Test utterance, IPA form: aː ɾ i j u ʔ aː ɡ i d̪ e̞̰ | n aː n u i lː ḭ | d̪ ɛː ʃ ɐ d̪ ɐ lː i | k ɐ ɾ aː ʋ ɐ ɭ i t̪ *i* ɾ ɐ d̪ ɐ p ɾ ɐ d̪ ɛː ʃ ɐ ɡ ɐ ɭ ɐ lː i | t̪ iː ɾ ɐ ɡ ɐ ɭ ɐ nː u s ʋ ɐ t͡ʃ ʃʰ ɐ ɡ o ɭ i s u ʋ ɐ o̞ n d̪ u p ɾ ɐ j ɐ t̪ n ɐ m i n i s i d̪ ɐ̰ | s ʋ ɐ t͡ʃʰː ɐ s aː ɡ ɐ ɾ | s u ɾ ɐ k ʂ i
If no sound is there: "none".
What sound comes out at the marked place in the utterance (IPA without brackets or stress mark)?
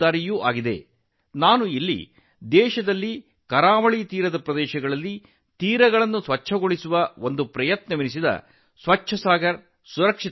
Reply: iː